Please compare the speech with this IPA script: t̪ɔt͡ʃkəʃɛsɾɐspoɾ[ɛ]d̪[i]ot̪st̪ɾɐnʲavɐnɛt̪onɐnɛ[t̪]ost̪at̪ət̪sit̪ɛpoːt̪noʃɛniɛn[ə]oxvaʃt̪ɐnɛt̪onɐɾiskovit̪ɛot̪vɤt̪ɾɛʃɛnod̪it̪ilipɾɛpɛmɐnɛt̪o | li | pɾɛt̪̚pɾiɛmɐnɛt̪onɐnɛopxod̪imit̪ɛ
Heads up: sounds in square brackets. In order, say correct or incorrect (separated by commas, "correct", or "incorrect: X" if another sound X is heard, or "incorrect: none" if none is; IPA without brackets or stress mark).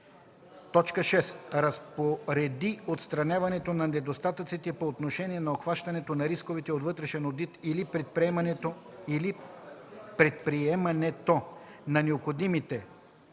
correct, correct, incorrect: d̪, incorrect: ɐ